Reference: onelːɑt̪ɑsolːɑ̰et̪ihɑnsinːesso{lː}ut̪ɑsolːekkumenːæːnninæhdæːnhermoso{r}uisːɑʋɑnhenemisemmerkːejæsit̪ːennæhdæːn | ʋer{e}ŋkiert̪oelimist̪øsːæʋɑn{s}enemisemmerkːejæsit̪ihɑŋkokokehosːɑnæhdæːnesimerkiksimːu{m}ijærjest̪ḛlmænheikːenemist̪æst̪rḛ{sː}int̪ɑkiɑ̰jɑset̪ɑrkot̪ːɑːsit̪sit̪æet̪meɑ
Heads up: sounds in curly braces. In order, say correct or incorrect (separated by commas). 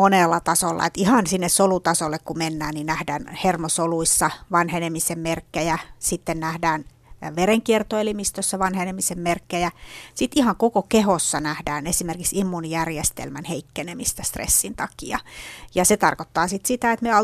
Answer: incorrect, incorrect, correct, incorrect, incorrect, correct